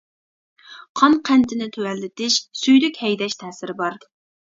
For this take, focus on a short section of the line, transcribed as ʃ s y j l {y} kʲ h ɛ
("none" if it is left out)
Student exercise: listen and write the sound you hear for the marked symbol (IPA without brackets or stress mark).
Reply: y